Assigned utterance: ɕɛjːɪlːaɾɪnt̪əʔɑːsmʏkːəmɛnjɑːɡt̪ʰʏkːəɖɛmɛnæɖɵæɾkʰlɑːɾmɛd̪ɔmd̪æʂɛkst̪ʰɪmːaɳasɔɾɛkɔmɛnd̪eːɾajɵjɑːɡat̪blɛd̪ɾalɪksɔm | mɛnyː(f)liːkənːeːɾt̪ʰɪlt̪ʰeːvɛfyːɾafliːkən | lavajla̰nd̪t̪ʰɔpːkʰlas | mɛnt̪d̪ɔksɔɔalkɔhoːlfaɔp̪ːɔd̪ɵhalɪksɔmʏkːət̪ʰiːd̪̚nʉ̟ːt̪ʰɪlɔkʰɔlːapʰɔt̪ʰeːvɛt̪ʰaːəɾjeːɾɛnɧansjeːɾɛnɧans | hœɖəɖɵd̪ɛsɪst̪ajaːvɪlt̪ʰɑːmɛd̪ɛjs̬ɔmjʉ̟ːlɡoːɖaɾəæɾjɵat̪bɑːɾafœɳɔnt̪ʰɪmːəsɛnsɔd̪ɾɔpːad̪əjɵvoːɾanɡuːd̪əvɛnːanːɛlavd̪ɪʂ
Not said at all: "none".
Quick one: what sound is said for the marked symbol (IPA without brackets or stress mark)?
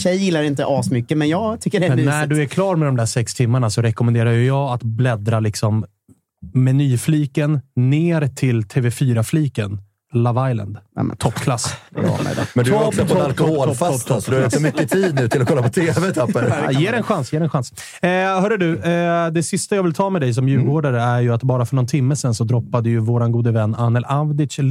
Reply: f